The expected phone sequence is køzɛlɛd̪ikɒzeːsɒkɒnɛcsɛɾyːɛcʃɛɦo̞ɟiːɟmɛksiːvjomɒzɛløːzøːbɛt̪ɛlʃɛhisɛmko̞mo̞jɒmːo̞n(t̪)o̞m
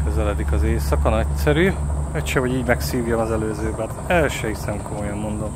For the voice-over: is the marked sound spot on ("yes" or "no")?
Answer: no